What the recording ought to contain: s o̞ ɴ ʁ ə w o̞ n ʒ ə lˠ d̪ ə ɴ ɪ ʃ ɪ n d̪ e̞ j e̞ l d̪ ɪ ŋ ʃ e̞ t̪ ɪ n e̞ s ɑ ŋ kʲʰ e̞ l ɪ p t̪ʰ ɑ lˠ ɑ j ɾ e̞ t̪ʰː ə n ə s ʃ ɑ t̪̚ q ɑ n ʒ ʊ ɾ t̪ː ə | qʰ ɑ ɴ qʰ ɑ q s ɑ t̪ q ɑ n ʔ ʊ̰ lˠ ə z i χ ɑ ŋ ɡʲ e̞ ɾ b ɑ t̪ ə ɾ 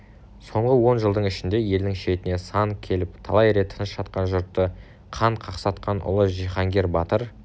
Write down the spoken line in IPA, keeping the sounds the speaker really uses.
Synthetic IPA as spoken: s o̞ ɴ ʁ ə w o̞ n ʒ ə lˠ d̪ ə ɴ ɪ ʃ ɪ n d̪ e̞ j e̞ l d̪ ɪ ŋ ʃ e̞ t̪ ɪ n e̞ s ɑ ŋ kʲʰ e̞ l ɪ p t̪ʰ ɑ lˠ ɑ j ɾ e̞ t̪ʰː ə n ə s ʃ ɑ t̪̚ q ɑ n ʒ ʊ ɾ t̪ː ə | qʰ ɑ ɴ qʰ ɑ q s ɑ t̪ q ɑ n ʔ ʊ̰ lˠ ə ʒ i χ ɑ ŋ ɡʲ e̞ ɾ b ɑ t̪ ə ɾ

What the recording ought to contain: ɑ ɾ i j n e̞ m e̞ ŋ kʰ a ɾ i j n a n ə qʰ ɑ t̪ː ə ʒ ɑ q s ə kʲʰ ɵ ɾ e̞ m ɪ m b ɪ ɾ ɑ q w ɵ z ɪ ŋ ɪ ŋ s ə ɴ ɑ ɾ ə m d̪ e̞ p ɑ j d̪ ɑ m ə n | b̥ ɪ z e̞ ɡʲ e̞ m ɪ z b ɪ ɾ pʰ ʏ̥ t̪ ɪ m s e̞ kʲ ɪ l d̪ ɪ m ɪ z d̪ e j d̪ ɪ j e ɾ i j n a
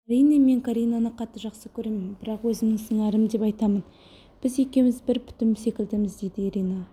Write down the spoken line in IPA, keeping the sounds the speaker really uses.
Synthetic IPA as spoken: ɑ ɾ i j n e̞ m e̞ ŋ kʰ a ɾ i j n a n ə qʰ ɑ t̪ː ə ʒ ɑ q s ə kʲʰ ɵ ɾ e̞ m ɪ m b ɪ ɾ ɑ q w ɵ z ɪ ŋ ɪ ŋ s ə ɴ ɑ ɾ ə m d̪ e̞ p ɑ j t̪ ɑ m ə n | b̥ ɪ z e̞ kʲ e̞ m ɪ z b ɪ ɾ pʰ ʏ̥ t̪ ɪ m s e̞ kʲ ɪ l d̪ ɪ m ɪ z d̪ e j d̪ ɪ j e ɾ i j n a

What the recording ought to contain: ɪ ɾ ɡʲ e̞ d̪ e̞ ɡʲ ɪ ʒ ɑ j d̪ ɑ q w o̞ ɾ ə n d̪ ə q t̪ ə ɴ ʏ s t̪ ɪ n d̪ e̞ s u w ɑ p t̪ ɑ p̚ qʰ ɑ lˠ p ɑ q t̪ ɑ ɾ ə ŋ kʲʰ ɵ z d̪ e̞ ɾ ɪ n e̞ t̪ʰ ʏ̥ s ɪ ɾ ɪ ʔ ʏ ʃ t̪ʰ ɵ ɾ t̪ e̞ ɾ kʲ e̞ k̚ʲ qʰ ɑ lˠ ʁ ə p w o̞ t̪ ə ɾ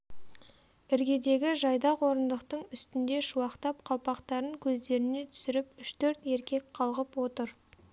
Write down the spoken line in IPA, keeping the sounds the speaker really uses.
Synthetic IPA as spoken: ɪ ɾ ɡʲ e̞ d̪ e̞ ɡʲ ɪ ʒ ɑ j d̪ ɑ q w o̞ ɾ ə n d̪ ə q t̪ ə ɴ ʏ s t̪ ɪ n d̪ e̞ ʃ u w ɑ q t̪ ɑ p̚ qʰ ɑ lˠ p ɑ q t̪ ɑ ɾ ə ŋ kʲʰ ɵ z d̪ e̞ ɾ ɪ n e̞ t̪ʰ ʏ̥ s ɪ ɾ ɪ p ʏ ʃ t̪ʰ ɵ ɾ t̪ e̞ ɾ kʲ e̞ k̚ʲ qʰ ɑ lˠ ʁ ə p w o̞ t̪ ə ɾ

